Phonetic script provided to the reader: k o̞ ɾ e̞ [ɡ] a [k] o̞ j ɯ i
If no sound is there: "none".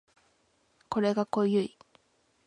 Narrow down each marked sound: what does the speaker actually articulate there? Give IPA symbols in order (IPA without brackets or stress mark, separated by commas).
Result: ɡ, k